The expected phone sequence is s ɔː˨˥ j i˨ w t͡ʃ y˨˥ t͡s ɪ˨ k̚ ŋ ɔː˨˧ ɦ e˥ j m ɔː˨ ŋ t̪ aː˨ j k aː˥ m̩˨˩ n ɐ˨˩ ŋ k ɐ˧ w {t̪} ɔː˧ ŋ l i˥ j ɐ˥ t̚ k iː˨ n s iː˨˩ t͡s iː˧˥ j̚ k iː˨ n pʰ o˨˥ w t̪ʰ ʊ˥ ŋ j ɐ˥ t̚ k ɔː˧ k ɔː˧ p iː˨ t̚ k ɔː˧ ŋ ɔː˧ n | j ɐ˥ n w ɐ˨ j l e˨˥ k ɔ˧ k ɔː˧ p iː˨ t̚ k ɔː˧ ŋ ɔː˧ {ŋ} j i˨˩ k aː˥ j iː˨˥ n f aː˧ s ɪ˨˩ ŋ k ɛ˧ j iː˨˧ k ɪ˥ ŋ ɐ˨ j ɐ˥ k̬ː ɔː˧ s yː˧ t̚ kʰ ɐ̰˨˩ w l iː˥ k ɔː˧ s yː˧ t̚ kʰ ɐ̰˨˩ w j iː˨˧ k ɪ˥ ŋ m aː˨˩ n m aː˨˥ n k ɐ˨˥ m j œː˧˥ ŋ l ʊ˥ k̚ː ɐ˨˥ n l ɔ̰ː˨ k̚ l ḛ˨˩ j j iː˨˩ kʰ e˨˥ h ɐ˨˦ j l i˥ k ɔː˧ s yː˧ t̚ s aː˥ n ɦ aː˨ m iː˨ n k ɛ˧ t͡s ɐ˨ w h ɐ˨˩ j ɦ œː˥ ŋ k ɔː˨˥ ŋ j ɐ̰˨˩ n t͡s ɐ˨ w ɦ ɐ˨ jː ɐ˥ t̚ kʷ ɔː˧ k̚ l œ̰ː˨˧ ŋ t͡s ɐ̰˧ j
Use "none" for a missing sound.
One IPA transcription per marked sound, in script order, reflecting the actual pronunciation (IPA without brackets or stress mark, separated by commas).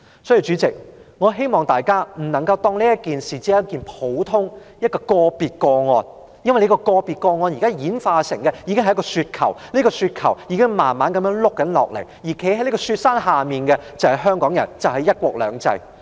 t̪, n